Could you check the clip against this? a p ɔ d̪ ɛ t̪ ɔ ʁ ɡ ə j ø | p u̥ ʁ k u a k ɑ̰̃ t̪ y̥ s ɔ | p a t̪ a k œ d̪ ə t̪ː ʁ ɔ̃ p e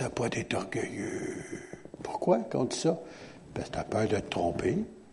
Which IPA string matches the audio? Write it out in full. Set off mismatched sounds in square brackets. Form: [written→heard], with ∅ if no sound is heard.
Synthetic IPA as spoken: a p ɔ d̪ ɛ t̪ ɔ ʁ ɡ ə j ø | p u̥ ʁ k [u→w] a k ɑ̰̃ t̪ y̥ s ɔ | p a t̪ a [k→p] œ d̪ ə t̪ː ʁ ɔ̃ p e